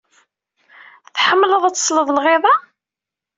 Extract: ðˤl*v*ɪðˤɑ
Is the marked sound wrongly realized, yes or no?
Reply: yes